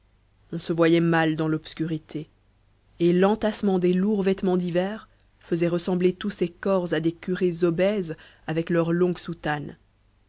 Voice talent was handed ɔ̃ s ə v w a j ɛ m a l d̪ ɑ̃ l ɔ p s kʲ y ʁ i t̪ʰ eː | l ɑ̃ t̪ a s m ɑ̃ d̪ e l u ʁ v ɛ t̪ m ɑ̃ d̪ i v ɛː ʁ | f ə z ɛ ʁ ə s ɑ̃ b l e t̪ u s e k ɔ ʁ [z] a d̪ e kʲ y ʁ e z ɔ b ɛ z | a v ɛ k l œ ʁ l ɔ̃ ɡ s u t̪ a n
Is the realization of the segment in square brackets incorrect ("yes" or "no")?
no